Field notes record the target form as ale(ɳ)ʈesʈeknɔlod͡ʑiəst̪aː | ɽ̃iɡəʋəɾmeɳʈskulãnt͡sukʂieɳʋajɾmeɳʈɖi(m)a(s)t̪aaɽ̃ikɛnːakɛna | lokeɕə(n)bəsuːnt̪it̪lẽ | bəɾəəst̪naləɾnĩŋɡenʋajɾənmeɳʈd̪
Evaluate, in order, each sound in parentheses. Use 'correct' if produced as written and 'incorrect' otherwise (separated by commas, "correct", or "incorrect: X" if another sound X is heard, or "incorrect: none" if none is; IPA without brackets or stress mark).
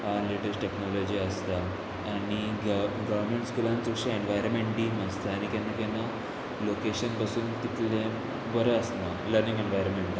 incorrect: none, correct, correct, correct